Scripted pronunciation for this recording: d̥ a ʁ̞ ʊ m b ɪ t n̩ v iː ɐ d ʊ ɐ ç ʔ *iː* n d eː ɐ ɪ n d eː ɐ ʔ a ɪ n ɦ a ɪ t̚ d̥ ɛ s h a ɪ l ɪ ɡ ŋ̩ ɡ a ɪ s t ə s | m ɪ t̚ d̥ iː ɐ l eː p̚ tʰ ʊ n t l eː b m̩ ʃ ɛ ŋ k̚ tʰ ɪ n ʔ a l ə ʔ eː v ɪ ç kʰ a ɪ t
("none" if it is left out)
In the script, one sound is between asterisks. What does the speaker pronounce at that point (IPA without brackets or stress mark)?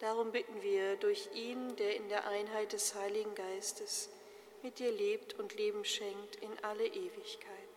iː